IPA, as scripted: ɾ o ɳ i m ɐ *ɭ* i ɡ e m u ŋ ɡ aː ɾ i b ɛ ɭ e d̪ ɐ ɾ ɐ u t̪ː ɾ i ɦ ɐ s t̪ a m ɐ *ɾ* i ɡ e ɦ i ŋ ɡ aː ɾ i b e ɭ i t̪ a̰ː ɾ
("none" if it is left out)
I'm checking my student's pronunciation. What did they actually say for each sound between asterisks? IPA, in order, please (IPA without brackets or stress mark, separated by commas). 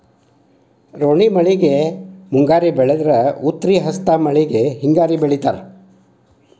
ɭ, ɭ